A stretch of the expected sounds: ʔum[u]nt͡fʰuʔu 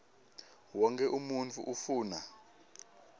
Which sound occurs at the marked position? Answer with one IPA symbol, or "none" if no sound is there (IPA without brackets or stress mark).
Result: u